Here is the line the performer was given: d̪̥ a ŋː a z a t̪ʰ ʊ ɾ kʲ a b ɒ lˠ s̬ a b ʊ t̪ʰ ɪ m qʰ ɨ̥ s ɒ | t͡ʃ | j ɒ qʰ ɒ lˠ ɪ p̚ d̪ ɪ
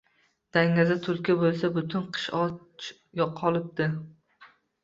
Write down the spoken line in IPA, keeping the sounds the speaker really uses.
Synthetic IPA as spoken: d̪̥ a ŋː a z a t̪ʰ ʊ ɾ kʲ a b o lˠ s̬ a b ʊ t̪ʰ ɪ n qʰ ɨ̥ ʃ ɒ | t͡ʃ | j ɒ qʰ ɒ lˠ ɪ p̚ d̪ ɪ